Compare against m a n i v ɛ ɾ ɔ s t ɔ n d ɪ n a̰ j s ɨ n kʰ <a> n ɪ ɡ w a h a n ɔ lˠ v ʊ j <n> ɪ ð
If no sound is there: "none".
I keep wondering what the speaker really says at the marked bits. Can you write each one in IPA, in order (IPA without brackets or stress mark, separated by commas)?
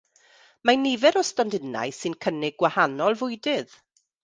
ə, d